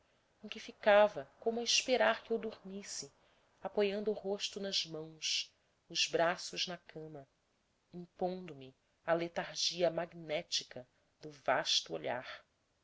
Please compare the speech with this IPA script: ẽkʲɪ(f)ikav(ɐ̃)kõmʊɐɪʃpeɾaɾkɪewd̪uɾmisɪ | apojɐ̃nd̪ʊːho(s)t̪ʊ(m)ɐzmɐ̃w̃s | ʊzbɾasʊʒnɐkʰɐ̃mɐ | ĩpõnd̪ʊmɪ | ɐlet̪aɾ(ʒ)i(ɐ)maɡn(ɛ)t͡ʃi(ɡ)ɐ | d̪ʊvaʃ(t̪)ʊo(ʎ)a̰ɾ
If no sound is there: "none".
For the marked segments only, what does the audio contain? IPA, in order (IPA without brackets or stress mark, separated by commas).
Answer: f, ɐ, ʃ, n, ʒ, ɐ, ɛ, k, t̪, ʎ